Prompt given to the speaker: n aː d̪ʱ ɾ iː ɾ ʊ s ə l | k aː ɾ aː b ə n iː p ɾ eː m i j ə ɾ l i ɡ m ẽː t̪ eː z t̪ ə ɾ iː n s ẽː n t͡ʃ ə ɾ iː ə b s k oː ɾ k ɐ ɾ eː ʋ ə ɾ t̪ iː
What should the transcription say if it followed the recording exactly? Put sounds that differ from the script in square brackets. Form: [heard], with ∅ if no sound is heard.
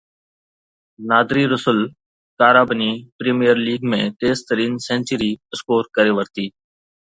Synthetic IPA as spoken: n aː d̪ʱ ɾ iː ɾ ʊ s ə l | k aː ɾ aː b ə n iː p ɾ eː m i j ə ɾ l [iː] ɡ m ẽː t̪ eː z t̪ ə ɾ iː n s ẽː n t͡ʃ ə ɾ iː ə [∅] s k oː ɾ k [ə] ɾ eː ʋ ə ɾ t̪ iː